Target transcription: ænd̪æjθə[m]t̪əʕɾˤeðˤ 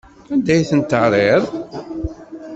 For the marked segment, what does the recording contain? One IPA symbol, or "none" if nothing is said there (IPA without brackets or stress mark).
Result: n